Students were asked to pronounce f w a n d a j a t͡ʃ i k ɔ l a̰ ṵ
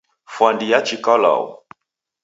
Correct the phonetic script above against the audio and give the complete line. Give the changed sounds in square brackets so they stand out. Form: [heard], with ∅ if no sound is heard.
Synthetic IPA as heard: f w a n d [i] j a t͡ʃ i k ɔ l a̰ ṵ